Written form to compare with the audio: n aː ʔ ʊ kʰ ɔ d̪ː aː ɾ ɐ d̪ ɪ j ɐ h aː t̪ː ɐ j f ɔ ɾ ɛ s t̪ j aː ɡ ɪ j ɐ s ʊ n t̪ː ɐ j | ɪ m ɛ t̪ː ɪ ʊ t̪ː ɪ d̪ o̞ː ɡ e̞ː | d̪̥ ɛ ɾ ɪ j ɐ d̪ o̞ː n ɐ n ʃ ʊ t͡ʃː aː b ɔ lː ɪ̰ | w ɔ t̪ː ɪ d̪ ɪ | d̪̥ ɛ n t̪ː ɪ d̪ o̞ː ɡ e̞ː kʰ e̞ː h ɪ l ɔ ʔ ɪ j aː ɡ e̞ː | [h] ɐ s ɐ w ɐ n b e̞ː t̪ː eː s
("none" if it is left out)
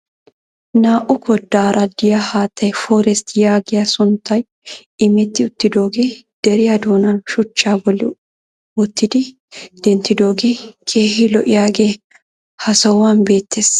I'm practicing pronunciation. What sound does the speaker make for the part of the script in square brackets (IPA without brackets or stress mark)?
h